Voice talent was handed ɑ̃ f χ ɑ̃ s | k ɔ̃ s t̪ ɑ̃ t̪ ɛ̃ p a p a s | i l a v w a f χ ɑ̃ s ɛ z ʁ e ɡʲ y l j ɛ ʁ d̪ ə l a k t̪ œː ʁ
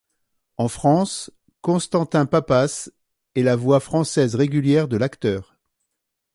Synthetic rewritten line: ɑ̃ f χ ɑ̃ s | k ɔ̃ s t̪ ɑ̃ t̪ ɛ̃ p a p a s | ɛ l a v w a f χ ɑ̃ s ɛ z ʁ e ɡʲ y l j ɛ ʁ d̪ ə l a k t̪ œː ʁ